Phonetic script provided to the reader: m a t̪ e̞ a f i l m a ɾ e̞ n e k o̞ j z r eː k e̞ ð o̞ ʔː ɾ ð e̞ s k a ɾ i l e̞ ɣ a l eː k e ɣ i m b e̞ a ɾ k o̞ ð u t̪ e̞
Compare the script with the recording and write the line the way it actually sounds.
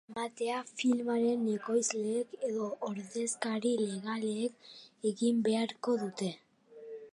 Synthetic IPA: m a t̪ e̞ a f i l m a ɾ e̞ n e k o̞ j z l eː k e̞ ð o̞ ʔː ɾ ð e̞ s k a ɾ i l e̞ ɣ a l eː k e ɣ i m b e̞ a ɾ k o̞ ð u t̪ e̞